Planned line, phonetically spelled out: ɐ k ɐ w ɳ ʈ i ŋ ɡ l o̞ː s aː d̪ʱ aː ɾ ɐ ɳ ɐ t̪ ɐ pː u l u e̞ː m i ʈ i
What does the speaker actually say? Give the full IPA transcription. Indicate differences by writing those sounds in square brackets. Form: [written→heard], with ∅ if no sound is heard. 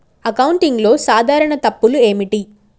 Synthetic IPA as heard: ɐ k ɐ w ɳ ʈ i ŋ ɡ l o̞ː s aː d̪ʱ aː ɾ ɐ ɳ ɐ t̪ ɐ pː u l u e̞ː m i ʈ i